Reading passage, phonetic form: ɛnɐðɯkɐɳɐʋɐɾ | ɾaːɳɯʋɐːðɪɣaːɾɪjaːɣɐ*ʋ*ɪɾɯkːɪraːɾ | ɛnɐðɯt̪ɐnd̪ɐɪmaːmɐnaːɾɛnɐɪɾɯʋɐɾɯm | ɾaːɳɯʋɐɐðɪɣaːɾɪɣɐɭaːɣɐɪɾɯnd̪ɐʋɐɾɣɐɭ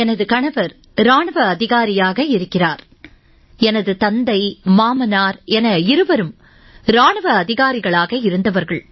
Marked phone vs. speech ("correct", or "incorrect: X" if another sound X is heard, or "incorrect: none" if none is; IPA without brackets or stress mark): incorrect: none